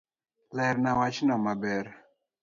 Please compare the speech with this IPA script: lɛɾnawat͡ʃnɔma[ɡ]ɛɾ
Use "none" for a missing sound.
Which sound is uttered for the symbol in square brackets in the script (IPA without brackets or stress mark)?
b